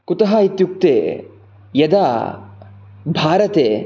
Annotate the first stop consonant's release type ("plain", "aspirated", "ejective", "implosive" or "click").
plain